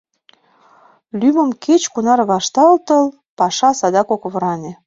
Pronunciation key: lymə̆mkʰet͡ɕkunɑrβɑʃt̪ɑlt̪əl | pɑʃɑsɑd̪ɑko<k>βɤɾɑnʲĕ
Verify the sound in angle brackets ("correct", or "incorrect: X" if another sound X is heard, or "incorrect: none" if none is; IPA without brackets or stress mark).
correct